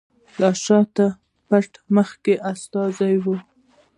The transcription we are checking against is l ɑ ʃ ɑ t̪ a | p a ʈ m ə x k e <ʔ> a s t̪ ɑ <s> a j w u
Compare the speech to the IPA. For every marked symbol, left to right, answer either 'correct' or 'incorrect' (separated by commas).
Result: correct, incorrect